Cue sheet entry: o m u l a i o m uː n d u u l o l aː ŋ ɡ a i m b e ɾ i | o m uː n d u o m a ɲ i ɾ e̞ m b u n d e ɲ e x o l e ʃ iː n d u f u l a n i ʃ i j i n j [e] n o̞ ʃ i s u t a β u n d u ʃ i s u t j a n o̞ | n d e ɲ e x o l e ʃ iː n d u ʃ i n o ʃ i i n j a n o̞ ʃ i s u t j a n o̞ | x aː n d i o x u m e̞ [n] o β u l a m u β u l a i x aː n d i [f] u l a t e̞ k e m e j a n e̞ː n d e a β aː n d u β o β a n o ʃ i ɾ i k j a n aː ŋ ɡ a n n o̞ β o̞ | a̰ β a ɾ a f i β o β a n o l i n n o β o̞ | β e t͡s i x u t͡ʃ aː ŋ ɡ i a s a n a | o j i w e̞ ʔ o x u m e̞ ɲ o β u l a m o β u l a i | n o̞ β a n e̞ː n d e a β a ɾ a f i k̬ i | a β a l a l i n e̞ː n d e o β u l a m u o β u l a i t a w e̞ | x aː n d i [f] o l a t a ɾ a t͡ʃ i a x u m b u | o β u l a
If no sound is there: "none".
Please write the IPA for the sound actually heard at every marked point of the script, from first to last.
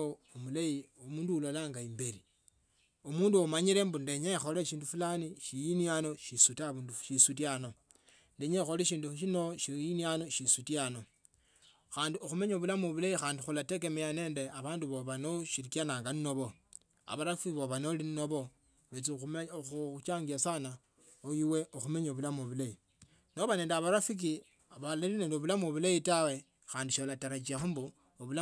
a, ɲ, x, ʃ

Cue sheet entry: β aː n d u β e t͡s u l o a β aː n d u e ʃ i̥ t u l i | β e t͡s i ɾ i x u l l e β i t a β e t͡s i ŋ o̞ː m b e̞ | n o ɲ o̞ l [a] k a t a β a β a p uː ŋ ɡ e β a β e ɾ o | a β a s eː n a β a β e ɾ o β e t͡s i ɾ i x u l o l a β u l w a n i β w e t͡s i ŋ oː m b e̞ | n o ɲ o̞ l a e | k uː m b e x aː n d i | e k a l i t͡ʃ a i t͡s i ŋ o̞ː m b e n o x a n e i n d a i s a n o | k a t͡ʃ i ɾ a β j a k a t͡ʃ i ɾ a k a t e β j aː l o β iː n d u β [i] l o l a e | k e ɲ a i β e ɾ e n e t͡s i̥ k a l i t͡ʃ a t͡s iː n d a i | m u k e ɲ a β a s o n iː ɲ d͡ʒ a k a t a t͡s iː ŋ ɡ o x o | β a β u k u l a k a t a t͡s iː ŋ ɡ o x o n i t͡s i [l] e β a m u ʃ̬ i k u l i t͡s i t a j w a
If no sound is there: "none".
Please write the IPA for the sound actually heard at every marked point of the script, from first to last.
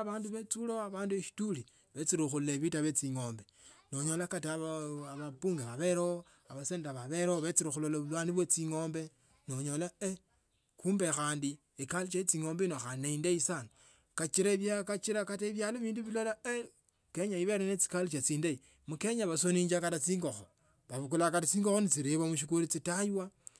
a, i, ɾ

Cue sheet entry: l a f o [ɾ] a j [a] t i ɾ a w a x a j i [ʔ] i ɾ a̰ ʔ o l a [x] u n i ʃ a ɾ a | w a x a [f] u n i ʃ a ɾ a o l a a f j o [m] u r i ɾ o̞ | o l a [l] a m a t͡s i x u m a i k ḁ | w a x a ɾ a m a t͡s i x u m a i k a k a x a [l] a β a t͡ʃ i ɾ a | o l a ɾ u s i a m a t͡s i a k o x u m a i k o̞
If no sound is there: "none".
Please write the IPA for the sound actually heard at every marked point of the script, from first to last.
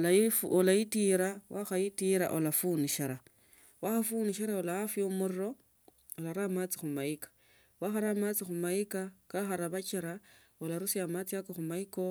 l, i, t, f, f, m, ɾ, ɾ

